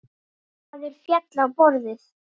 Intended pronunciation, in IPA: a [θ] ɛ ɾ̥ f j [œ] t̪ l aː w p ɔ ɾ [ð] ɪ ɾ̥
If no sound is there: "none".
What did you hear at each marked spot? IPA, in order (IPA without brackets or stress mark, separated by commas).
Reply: ð, ɛ, ð